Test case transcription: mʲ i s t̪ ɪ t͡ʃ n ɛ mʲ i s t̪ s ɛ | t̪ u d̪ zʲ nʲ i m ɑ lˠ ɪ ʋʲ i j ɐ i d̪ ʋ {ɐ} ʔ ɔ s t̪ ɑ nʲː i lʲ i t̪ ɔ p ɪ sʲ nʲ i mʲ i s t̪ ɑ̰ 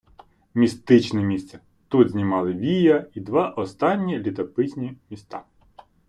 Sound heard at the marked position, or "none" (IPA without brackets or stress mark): ɑ